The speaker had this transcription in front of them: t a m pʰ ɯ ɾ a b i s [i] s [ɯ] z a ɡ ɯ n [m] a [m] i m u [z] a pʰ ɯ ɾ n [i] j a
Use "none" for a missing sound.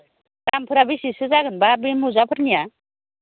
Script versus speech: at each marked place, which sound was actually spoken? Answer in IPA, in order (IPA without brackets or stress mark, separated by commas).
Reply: i, ɯ, b, b, z, i